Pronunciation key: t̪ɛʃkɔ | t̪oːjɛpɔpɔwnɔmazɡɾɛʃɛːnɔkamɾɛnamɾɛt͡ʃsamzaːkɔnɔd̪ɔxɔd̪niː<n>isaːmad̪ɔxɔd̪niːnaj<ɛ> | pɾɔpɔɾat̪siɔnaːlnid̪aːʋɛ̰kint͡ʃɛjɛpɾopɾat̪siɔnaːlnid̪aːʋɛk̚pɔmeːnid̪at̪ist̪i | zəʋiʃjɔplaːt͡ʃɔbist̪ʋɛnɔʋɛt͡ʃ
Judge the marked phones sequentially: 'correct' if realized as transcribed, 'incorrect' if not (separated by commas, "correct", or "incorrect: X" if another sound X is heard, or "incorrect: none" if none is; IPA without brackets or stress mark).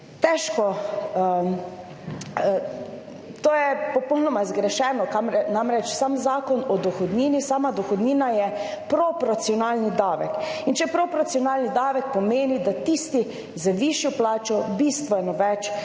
correct, correct